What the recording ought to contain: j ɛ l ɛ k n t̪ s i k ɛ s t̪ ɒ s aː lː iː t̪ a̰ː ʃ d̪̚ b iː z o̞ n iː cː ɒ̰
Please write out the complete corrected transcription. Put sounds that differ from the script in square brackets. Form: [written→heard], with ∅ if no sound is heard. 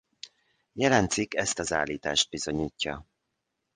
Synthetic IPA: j ɛ l ɛ [k→∅] n t̪ s i k ɛ s t̪ ɒ [s→z] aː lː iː t̪ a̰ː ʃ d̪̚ b [iː→i] z o̞ [n→ɲ] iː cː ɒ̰